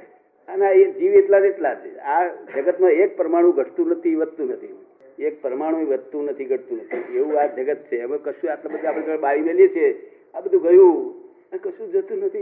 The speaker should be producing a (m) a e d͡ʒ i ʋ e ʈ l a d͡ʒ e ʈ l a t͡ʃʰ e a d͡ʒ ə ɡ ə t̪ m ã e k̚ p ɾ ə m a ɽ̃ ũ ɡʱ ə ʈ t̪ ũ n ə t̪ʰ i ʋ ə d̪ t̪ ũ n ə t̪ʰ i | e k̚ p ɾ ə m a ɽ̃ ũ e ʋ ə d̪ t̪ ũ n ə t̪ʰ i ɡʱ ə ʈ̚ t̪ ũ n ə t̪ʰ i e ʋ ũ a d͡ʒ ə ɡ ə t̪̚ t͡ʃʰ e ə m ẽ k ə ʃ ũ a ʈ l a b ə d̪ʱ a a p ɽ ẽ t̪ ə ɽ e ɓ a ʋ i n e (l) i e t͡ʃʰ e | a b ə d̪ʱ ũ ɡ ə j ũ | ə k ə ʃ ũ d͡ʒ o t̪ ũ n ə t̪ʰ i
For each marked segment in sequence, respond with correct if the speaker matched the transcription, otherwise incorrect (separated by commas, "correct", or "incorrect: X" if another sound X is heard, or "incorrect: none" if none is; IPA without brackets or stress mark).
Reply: incorrect: n, correct